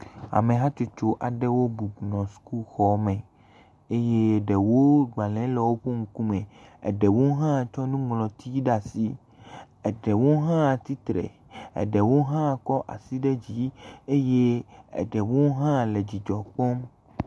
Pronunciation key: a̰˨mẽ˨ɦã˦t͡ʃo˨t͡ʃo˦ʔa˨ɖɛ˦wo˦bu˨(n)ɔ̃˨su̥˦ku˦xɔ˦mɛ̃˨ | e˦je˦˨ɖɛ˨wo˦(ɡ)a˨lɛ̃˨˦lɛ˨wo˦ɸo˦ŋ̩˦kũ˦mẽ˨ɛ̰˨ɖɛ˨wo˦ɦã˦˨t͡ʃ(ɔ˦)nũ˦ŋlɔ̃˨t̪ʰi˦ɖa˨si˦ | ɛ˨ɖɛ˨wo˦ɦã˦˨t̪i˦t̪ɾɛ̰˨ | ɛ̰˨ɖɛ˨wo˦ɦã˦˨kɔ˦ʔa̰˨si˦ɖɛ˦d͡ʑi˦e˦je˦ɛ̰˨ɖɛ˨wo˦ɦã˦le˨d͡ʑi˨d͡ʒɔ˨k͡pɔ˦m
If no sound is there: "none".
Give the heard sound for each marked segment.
n, ɡ͡b, ɔ˦

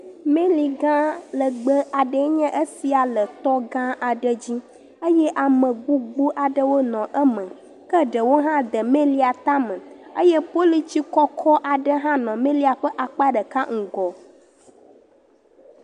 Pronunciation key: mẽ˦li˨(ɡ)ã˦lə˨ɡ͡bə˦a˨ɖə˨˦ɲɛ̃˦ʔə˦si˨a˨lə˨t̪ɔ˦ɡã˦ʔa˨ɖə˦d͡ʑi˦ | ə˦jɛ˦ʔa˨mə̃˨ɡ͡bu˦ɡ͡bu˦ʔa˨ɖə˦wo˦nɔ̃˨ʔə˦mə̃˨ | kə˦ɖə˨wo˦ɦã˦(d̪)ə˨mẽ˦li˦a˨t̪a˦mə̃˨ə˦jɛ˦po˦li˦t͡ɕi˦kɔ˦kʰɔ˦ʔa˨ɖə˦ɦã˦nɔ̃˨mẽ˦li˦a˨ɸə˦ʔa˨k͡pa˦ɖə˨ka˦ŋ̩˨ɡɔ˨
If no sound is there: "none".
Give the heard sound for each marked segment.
ɡ, d̪

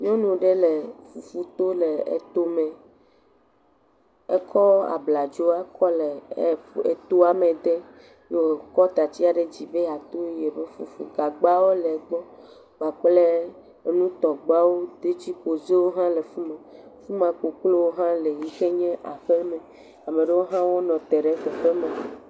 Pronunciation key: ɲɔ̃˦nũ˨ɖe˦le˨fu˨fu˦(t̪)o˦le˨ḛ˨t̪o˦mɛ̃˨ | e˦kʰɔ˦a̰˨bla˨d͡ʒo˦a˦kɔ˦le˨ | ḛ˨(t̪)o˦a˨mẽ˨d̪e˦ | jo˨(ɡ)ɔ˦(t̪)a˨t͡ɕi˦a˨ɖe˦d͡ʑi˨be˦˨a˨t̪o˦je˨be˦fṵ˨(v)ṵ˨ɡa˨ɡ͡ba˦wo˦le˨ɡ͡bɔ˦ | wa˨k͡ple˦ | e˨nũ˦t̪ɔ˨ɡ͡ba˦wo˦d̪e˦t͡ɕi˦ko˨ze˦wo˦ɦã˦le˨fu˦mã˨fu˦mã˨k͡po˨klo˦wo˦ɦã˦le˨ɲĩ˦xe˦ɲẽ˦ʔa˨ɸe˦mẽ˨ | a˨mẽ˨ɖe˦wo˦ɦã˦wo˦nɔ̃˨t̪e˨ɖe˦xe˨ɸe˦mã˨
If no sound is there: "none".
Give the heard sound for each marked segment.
t̪, t̪, k, t̪, f

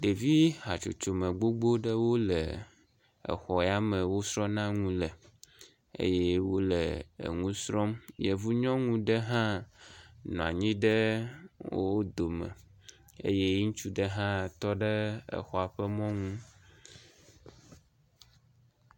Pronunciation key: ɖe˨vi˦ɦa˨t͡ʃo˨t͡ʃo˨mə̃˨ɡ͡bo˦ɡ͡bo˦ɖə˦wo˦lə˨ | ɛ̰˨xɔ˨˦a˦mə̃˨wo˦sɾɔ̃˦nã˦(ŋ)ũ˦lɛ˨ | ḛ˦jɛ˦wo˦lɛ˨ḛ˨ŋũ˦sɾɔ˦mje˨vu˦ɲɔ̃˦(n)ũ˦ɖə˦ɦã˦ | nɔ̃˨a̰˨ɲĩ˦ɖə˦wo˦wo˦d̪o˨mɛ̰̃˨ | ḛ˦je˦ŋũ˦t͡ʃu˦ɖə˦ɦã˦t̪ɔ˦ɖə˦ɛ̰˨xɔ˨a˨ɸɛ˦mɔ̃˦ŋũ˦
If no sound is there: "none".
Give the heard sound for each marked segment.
ŋ, ŋ

